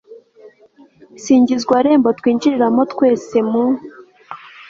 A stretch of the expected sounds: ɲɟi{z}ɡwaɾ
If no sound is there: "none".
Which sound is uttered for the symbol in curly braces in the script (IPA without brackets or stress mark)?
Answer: z